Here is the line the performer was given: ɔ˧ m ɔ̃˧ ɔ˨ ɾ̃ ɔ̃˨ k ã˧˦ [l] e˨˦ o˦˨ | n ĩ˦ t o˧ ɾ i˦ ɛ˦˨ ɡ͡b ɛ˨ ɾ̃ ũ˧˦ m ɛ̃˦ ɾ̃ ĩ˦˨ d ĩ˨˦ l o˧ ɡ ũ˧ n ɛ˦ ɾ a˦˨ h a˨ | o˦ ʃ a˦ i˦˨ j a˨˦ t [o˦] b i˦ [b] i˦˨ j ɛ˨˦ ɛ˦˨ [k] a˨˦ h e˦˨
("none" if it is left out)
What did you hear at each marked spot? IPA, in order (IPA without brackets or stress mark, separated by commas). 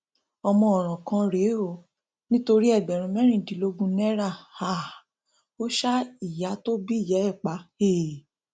ɾ, o˦, none, k͡p